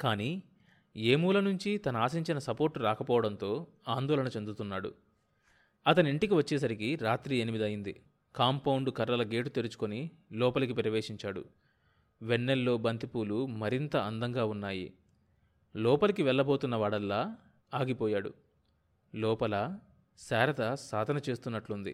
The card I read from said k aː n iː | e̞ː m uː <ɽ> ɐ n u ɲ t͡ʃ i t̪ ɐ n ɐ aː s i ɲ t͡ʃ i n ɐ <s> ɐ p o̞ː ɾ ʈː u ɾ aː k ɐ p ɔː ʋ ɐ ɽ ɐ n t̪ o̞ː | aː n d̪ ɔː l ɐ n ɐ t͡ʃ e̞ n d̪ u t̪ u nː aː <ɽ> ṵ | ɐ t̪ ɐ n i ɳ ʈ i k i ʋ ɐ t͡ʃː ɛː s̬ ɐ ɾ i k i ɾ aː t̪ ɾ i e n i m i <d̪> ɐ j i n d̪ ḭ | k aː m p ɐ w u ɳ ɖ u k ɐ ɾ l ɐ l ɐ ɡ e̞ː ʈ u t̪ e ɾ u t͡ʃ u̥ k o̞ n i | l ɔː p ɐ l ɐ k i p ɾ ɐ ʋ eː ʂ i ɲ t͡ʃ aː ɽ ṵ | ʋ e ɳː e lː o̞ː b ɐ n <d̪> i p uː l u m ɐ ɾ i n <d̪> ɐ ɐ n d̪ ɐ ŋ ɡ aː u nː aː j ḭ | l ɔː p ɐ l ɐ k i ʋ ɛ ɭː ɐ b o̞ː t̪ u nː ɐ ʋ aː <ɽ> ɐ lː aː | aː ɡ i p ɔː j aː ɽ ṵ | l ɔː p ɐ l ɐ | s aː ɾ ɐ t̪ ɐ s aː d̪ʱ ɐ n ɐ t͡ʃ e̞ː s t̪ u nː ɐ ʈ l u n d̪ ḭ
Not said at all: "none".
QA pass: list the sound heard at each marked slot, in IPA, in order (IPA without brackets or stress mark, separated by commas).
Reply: l, s, ɽ, d̪, t̪, t̪, ɽ